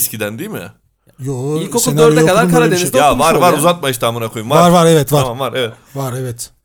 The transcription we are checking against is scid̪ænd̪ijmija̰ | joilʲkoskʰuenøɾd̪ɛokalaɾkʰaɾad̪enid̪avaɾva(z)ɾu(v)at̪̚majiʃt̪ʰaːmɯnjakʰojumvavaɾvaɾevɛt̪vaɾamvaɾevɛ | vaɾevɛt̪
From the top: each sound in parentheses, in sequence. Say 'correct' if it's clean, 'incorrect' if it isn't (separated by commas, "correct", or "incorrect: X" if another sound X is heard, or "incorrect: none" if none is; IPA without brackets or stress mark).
incorrect: none, incorrect: z